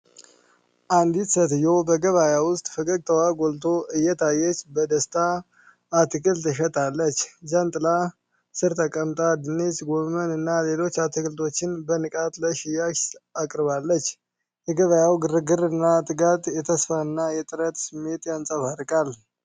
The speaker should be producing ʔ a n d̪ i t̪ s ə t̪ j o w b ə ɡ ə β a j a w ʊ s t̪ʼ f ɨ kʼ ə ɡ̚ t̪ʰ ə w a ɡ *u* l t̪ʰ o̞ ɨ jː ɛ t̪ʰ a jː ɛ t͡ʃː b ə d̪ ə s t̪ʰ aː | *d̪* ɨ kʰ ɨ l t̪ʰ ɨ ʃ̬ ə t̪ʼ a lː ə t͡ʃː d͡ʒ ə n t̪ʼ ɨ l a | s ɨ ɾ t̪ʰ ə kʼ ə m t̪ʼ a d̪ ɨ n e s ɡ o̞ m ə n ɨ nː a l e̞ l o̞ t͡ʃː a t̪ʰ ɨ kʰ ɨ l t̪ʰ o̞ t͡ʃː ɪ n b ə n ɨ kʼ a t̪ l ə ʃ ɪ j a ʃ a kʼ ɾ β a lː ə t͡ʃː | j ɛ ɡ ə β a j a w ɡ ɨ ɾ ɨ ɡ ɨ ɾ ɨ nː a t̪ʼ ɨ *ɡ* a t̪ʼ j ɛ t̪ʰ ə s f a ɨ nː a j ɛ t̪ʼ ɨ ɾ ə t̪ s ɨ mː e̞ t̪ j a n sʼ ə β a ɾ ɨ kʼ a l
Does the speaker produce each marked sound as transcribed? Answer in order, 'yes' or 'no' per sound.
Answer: no, no, yes

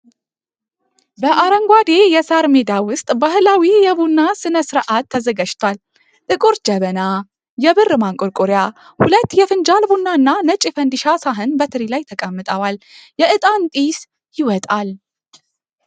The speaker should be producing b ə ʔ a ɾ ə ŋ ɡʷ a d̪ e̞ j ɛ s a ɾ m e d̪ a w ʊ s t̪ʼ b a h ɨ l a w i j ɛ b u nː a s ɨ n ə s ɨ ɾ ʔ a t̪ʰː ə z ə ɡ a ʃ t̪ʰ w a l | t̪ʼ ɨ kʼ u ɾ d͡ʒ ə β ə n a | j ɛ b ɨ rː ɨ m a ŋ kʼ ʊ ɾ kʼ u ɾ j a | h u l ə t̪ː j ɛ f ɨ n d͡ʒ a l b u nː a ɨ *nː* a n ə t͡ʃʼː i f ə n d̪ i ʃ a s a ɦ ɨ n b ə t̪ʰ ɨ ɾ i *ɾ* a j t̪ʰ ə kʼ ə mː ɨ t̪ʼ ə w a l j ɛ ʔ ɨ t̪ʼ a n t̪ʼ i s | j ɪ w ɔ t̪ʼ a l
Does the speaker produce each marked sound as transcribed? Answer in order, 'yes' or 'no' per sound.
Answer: yes, no

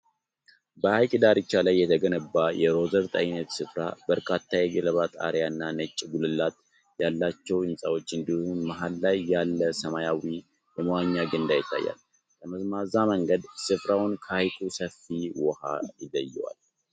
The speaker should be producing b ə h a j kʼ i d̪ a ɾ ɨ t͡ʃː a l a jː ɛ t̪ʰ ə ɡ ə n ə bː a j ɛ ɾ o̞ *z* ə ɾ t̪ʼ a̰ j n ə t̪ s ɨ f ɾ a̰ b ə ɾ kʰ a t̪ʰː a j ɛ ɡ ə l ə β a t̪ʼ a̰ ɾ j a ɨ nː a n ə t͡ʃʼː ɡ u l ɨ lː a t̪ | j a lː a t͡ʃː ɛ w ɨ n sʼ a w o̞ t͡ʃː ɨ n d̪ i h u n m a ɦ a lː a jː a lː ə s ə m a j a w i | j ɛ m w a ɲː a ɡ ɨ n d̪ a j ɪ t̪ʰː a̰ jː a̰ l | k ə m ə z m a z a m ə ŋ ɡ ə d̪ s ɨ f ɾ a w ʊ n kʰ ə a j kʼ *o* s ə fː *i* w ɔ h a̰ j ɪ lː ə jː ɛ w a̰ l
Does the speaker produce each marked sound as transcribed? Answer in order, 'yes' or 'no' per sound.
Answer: yes, no, yes

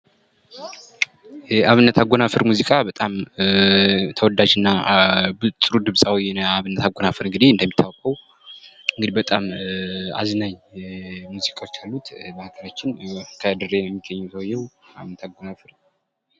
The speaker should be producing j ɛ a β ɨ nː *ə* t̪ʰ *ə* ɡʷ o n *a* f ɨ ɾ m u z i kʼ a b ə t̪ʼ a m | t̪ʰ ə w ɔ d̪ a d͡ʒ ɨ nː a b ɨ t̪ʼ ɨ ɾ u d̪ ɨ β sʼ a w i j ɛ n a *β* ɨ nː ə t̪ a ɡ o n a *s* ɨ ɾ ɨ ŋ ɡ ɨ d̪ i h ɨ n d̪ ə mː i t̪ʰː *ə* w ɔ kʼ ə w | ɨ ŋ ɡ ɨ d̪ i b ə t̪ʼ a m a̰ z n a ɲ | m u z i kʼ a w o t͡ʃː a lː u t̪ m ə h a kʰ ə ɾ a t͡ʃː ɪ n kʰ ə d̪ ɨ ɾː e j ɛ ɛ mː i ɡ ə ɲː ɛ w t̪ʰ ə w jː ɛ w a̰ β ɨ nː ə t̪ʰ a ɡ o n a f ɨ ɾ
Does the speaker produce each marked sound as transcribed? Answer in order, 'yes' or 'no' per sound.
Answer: yes, no, yes, yes, no, no

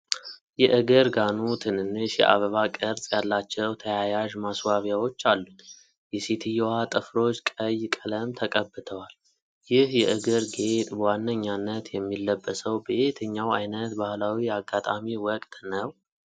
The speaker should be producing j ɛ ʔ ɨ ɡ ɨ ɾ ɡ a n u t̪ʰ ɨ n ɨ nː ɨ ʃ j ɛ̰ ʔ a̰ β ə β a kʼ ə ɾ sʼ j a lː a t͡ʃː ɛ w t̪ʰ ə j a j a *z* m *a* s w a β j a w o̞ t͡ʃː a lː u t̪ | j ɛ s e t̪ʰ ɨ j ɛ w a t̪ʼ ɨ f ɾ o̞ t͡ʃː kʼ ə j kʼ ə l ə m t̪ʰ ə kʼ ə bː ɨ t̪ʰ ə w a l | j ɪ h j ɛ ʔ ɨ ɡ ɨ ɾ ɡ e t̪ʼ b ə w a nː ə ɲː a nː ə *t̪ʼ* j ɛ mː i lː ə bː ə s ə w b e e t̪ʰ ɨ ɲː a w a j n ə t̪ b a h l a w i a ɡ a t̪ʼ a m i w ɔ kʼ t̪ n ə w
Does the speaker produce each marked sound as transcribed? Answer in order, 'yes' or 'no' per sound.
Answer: no, yes, no

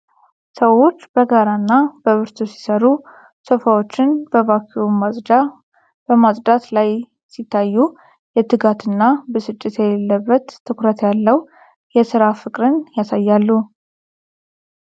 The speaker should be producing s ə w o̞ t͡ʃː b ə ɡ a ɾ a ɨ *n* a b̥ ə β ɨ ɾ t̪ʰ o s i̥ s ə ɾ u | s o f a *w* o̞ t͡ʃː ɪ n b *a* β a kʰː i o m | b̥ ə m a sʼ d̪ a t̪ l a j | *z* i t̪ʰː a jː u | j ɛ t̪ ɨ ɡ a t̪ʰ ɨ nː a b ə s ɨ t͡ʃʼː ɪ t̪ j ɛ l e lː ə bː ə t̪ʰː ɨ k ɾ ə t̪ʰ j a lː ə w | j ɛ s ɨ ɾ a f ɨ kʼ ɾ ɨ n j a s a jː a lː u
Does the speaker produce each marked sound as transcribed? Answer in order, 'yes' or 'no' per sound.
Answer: no, yes, no, no

